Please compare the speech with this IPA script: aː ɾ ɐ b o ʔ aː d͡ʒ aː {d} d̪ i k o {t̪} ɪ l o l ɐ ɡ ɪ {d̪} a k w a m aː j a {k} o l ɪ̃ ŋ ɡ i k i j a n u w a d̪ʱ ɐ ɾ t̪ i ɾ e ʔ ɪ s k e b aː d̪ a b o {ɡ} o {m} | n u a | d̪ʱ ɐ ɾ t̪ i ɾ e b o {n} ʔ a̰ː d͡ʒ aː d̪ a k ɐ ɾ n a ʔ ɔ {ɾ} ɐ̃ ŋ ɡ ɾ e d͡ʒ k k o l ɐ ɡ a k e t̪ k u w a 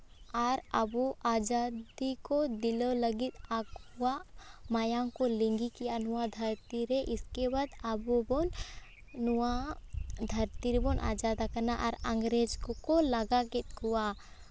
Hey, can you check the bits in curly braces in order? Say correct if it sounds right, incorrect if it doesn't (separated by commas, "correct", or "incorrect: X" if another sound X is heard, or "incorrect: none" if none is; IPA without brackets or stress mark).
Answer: correct, incorrect: d̪, incorrect: t̪, correct, incorrect: b, incorrect: n, correct, correct